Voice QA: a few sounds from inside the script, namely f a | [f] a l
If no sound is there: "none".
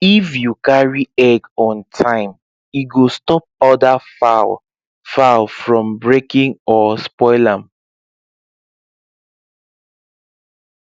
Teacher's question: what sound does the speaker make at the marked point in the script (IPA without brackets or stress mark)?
f